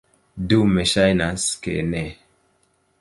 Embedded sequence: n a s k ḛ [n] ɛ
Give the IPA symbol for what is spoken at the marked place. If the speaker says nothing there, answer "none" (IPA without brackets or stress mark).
n